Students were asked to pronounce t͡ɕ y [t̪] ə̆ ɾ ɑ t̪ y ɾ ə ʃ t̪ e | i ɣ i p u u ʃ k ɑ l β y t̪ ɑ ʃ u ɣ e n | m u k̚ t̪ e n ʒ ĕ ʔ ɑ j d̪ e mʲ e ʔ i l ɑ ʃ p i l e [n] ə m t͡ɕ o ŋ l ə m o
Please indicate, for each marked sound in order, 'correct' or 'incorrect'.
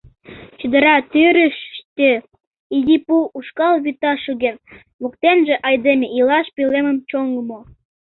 incorrect: d̪, incorrect: m

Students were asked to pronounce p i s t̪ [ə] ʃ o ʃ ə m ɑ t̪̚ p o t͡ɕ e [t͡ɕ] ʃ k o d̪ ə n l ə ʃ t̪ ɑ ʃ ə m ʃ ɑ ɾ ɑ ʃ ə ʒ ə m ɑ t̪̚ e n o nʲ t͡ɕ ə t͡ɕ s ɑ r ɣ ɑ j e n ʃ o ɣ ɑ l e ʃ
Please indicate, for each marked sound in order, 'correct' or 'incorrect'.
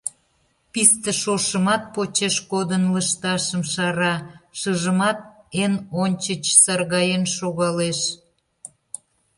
correct, incorrect: none

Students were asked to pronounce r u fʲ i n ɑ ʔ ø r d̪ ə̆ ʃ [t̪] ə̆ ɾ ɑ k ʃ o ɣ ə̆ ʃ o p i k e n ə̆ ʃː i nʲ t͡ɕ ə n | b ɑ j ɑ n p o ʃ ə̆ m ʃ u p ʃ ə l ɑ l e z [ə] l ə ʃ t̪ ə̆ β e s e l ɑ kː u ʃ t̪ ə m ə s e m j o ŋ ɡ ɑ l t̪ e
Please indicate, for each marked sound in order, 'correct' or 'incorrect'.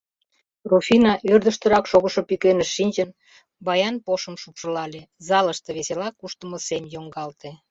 correct, incorrect: ɑ

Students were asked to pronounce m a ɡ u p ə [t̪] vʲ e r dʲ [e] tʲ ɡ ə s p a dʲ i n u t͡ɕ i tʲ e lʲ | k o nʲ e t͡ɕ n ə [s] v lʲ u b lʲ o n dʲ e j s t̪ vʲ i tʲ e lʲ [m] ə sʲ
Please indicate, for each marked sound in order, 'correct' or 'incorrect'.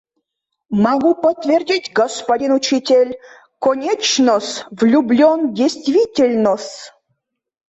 correct, incorrect: i, correct, incorrect: n

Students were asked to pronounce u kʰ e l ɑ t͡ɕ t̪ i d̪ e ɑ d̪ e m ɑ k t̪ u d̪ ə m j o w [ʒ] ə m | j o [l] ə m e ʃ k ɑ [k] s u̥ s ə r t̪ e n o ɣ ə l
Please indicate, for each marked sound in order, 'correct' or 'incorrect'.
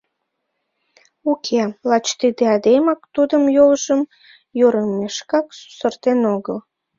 correct, incorrect: ɾ, correct

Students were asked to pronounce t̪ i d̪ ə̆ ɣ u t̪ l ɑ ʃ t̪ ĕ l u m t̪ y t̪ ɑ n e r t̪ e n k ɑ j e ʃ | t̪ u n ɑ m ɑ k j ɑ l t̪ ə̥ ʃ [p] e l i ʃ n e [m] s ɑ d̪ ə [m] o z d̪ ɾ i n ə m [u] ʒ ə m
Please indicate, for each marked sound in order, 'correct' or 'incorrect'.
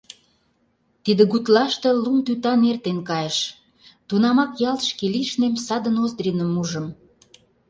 incorrect: k, correct, incorrect: n, correct

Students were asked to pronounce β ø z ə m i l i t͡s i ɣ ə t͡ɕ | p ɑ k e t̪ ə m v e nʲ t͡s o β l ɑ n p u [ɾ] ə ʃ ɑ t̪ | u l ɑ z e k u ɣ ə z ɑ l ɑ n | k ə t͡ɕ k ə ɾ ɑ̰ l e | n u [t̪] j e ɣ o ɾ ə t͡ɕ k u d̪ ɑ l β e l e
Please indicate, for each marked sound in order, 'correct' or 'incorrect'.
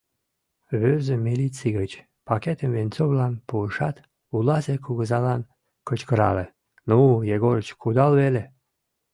incorrect: none, incorrect: none

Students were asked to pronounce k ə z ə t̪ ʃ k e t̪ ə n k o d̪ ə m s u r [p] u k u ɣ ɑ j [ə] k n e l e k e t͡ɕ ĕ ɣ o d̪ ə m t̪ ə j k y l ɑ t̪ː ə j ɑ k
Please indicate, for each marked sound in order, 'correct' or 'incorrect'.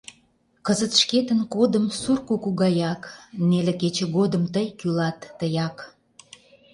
incorrect: k, incorrect: ɑ

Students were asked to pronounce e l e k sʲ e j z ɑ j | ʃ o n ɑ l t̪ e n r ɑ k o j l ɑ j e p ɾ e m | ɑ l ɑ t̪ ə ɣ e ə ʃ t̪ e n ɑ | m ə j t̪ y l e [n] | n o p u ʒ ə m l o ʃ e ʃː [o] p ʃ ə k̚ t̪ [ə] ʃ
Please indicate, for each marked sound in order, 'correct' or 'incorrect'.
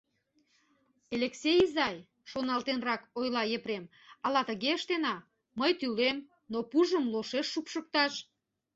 incorrect: m, incorrect: u, incorrect: ɑ

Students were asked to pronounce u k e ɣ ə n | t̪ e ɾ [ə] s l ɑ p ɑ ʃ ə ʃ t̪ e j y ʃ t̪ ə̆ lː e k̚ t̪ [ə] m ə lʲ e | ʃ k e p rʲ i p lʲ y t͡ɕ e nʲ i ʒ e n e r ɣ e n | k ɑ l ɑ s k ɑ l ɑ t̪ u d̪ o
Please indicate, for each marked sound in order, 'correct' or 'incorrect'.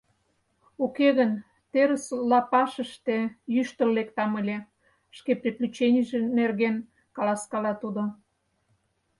correct, incorrect: ɑ

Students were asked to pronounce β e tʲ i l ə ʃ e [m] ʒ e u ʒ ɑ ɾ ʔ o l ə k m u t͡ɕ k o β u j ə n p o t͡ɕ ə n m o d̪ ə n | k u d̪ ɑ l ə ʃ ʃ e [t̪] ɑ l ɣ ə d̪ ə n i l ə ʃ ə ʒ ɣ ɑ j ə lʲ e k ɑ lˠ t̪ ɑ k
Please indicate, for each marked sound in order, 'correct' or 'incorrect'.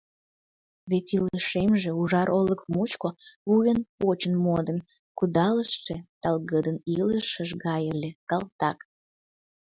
correct, correct

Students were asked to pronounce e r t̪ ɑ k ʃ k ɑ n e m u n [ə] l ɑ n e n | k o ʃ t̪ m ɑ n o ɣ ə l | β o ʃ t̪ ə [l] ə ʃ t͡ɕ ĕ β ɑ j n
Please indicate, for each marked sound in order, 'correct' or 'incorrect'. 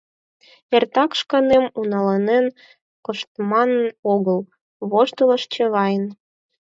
incorrect: ɑ, correct

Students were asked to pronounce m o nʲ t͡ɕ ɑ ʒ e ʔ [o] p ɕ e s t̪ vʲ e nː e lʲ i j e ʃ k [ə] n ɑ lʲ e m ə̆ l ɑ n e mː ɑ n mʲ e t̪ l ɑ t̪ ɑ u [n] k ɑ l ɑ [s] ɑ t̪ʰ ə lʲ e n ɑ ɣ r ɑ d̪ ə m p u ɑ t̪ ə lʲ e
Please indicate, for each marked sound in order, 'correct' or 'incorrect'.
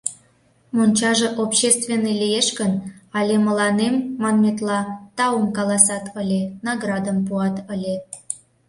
correct, correct, incorrect: m, correct

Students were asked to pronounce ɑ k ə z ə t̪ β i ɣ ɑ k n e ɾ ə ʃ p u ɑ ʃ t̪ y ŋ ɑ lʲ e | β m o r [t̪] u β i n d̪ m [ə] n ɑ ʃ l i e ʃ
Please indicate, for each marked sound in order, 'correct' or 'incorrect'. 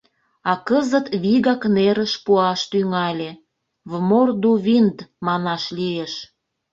incorrect: d̪, incorrect: ɑ

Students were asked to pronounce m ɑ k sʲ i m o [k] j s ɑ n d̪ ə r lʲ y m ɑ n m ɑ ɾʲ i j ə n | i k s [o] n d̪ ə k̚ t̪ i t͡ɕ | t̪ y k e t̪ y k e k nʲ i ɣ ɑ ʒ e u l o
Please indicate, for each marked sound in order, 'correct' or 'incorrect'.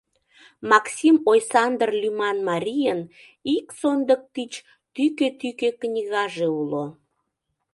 incorrect: none, correct

